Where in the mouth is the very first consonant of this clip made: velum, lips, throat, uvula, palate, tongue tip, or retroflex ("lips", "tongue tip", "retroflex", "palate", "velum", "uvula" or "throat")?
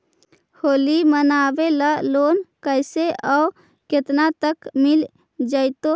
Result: throat